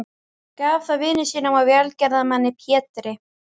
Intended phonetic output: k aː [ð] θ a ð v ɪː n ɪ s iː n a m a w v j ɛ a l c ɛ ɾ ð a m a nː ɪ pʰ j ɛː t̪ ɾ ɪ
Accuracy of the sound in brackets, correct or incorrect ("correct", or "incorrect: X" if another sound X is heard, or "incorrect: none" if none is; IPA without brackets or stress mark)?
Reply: incorrect: v